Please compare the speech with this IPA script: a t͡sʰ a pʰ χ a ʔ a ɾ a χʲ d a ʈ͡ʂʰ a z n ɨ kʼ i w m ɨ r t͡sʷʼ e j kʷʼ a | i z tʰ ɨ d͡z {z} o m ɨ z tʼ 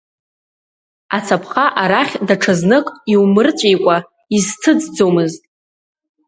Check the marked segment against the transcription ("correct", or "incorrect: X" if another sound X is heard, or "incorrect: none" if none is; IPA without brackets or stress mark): incorrect: d͡z